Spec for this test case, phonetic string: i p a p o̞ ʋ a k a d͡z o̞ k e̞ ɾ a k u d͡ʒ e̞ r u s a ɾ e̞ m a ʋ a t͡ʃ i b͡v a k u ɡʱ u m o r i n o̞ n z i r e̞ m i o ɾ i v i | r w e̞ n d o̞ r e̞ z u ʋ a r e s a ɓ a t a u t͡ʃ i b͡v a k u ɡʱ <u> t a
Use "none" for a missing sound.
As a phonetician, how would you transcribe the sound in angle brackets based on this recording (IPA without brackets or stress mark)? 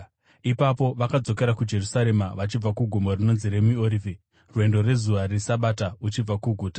uː